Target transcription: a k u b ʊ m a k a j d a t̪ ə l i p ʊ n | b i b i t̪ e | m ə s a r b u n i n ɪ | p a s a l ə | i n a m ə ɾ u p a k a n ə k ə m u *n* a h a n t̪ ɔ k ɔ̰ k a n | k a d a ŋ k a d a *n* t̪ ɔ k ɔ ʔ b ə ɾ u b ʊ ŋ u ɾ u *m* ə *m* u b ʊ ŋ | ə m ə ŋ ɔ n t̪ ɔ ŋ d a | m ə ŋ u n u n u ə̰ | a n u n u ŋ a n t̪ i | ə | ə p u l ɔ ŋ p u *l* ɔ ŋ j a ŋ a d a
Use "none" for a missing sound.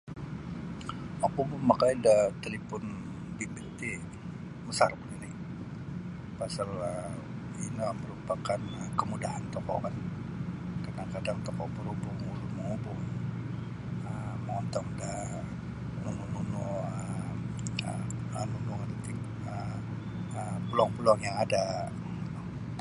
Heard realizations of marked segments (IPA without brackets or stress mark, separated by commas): d, ŋ, m, ŋ, l